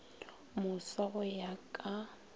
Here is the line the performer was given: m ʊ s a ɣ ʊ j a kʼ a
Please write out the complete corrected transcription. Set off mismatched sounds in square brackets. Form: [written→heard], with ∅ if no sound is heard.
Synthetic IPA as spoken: m ʊ s a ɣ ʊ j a kʼ a